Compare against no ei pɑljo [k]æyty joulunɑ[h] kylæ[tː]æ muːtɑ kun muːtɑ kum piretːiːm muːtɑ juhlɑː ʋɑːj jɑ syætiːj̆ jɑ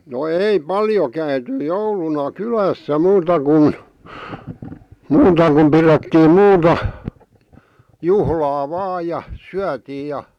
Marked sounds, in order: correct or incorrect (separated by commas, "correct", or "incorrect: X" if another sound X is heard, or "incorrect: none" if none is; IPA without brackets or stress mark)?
correct, incorrect: none, incorrect: sː